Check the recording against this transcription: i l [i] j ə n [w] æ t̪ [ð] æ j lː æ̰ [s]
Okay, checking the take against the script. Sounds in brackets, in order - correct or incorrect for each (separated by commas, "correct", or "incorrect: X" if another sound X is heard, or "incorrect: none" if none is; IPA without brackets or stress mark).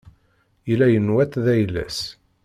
incorrect: æ, correct, correct, correct